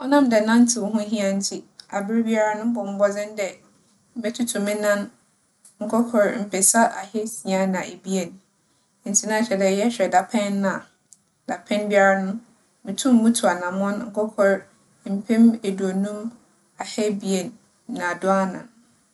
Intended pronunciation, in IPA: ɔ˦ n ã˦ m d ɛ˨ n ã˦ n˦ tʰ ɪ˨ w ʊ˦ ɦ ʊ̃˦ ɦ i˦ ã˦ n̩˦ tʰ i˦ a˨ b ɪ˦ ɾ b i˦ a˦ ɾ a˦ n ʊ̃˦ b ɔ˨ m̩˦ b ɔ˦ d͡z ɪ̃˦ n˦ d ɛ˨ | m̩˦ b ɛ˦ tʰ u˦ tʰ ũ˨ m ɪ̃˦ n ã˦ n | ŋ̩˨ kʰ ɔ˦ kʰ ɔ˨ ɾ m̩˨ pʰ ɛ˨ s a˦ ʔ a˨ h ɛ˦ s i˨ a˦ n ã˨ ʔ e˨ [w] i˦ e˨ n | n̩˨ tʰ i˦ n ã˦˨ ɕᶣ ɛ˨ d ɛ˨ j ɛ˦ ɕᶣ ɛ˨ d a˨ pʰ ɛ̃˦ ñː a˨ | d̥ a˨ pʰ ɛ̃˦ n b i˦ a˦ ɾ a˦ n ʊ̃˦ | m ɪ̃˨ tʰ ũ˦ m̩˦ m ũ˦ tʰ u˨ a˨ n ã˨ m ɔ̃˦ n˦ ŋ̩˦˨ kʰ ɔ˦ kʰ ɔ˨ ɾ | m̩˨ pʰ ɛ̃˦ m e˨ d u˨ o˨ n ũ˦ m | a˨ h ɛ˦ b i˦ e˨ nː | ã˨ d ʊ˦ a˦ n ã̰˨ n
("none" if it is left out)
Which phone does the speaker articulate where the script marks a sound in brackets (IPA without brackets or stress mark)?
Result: b